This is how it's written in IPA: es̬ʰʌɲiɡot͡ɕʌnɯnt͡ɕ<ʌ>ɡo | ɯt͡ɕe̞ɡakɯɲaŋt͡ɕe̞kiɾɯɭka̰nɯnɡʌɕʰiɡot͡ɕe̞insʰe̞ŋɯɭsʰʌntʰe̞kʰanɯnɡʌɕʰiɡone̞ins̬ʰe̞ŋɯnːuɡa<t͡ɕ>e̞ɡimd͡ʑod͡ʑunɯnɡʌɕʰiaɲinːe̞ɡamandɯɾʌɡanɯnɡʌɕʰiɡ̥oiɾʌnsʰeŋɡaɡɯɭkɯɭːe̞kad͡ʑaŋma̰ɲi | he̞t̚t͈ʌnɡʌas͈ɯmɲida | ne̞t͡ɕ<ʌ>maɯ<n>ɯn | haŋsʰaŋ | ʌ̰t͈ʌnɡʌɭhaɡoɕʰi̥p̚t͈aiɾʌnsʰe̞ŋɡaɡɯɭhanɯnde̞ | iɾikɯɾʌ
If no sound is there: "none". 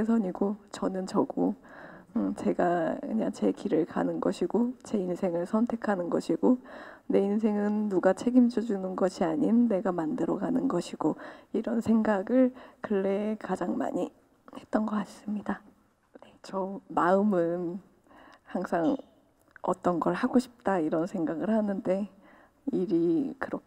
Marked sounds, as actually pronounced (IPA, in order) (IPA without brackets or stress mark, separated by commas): ʌ, t͡ɕʰ, ʌ, m